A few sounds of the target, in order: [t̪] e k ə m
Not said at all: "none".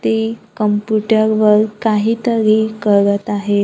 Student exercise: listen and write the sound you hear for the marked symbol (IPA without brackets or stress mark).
t̪